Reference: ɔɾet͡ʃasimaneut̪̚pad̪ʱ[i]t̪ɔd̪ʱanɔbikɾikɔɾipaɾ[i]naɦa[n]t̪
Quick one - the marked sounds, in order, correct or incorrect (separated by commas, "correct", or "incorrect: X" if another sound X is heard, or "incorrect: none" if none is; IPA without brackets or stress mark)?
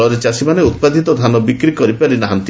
correct, correct, correct